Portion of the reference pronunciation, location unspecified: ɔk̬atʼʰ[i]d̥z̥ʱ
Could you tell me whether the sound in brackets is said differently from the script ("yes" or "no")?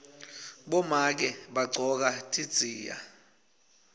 no